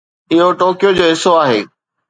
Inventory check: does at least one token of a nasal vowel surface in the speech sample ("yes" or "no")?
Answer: no